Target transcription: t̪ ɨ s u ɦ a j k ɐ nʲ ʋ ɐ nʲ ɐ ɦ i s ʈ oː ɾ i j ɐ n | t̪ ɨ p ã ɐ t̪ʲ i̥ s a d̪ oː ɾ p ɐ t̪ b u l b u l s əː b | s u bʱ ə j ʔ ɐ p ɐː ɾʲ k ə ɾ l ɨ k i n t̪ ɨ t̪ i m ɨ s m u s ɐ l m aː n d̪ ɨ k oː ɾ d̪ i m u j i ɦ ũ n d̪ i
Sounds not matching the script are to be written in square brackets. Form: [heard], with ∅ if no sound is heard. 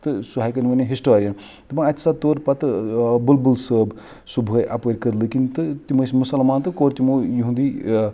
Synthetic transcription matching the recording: t̪ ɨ s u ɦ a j k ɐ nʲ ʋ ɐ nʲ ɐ ɦ i s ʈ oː ɾ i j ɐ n | t̪ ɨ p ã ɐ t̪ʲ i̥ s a [t̪] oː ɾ p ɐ t̪ b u l b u l s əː b | s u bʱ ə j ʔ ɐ p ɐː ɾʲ k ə ɾ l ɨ k i n t̪ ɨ t̪ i m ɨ s m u s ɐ l m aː n [t̪] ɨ k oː ɾ [t̪] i m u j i ɦ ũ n d̪ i